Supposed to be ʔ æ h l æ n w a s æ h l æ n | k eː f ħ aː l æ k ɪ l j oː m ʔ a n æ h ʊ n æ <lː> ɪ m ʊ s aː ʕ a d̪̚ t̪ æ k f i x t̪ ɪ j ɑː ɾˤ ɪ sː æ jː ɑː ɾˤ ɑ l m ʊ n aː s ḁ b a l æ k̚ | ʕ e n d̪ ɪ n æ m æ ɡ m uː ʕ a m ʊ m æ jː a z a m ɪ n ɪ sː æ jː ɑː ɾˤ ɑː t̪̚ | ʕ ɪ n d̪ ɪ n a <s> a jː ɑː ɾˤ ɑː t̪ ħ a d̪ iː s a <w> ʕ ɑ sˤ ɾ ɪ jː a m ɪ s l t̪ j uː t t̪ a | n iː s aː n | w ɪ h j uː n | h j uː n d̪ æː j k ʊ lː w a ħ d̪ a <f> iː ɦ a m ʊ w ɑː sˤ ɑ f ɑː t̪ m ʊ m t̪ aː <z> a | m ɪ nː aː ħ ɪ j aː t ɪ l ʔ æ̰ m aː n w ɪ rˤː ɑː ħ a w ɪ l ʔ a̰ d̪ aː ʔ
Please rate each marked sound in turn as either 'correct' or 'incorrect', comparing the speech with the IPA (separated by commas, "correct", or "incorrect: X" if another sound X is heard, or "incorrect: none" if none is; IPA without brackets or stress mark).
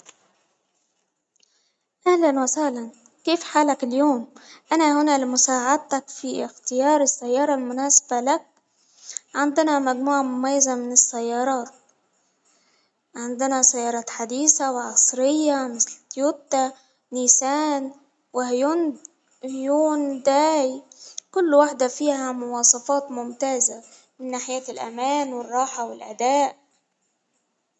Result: incorrect: l, correct, correct, correct, correct